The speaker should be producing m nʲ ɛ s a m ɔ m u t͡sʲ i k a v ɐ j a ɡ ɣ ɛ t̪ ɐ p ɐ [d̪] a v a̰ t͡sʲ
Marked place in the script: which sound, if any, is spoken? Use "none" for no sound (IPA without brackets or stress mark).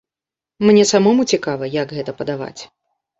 d̪